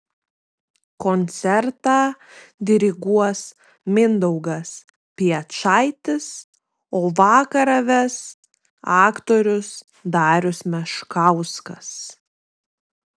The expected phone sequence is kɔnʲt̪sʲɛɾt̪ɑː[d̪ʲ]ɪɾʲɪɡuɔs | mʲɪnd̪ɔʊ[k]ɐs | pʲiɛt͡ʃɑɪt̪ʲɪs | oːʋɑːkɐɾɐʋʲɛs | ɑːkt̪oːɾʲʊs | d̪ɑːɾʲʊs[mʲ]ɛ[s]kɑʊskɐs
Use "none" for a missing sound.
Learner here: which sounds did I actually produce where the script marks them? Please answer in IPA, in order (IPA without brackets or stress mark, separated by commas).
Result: d̪ʲ, ɡ, mʲ, ʃ